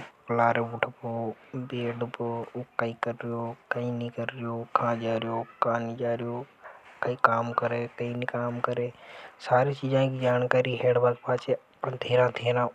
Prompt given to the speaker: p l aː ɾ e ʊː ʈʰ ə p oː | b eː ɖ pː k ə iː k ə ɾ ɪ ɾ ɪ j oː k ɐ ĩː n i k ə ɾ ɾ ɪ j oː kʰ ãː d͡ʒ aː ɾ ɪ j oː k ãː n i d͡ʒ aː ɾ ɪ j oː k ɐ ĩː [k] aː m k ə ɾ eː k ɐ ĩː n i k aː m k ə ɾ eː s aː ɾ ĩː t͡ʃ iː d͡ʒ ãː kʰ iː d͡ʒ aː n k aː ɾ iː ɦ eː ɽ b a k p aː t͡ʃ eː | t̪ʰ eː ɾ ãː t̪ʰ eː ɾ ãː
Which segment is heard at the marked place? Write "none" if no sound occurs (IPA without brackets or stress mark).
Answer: k